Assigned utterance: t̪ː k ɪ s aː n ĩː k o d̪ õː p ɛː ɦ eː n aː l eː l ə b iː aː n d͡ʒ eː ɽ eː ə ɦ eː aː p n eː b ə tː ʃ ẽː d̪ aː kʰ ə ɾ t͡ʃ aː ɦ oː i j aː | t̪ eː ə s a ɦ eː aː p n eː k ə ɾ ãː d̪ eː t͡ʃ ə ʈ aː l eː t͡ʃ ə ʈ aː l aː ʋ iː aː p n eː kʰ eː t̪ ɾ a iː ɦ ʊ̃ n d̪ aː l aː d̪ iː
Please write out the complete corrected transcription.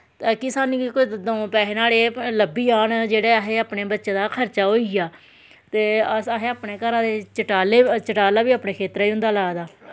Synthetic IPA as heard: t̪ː k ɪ s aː n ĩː k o d̪ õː p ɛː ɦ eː n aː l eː l ə b iː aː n d͡ʒ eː ɽ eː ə ɦ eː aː p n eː b ə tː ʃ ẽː d̪ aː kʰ ə ɾ t͡ʃ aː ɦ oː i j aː | t̪ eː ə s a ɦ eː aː p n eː k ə ɾ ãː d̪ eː t͡ʃ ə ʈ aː l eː t͡ʃ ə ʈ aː l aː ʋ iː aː p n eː kʰ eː t̪ ɾ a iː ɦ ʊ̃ n d̪ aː l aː d̪ aː